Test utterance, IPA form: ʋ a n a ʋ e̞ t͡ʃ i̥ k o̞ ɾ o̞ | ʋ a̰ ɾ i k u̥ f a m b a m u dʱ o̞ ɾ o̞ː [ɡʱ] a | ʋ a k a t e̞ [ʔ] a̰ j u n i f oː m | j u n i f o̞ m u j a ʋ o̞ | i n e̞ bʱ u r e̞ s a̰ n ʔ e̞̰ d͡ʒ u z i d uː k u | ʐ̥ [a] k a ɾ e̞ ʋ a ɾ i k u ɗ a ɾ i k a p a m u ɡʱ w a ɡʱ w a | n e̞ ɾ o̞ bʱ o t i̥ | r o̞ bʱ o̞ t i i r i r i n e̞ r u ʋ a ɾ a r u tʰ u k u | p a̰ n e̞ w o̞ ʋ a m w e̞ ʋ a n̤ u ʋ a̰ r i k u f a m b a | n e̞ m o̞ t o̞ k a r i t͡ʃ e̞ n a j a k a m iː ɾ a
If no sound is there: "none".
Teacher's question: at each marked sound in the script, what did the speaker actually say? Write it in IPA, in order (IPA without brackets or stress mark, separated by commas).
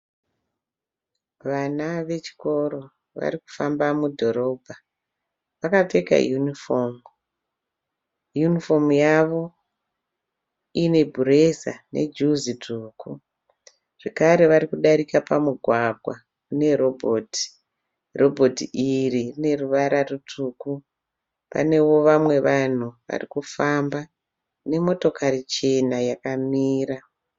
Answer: bʱ, k, e